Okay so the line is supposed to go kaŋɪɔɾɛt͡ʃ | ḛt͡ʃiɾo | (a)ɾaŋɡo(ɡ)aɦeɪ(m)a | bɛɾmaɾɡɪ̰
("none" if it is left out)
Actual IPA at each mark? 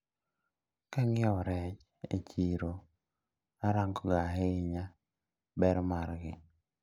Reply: a, ɡ, ɲ

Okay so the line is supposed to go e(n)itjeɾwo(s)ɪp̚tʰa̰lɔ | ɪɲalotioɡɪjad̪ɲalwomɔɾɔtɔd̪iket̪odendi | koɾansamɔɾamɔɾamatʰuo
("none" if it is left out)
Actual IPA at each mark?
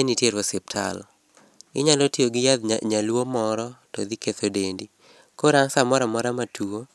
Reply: n, s

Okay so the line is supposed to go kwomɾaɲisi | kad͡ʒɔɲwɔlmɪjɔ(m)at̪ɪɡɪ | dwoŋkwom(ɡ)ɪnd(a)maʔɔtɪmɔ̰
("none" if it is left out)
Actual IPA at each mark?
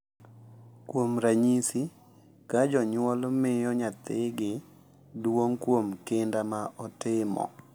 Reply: ɲ, k, a

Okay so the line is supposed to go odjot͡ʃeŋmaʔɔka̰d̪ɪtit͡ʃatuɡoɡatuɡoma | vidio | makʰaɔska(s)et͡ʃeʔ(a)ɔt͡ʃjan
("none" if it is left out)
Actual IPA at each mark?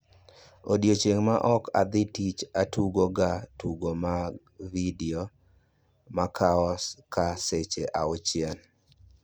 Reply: s, a

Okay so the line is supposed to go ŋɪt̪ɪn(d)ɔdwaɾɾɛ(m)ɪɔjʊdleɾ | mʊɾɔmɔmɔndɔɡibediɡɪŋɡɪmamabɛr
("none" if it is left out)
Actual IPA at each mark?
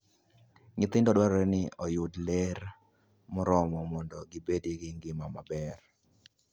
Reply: d, n

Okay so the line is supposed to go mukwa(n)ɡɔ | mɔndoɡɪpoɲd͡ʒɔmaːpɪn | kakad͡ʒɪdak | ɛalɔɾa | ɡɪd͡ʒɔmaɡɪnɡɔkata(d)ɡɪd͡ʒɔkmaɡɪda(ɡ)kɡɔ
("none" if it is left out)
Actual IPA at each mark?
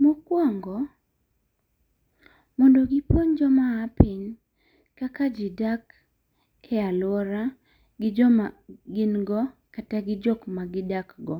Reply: ŋ, none, none

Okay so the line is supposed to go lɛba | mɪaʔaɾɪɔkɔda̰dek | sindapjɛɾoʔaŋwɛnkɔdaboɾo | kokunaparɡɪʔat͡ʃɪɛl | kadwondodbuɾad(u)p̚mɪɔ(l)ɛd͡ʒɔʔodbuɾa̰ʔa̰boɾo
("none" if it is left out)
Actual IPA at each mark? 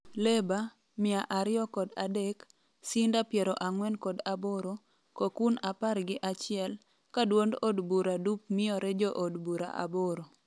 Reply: u, ɾ

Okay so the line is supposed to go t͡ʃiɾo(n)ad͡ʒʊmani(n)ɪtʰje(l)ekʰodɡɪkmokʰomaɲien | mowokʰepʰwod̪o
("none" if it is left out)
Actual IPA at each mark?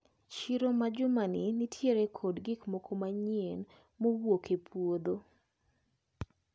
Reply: m, n, ɾ

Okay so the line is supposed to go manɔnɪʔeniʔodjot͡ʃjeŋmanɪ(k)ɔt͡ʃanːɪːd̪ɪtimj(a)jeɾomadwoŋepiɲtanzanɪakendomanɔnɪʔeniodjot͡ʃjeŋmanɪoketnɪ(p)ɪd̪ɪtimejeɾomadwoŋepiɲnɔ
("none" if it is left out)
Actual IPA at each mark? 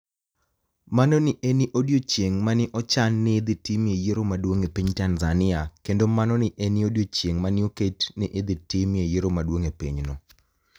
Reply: ʔ, e, ʔ

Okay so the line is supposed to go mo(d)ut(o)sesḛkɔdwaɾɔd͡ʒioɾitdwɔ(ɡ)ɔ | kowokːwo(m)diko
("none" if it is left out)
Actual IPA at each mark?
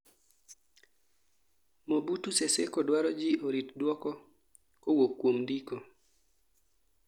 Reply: b, u, k, m

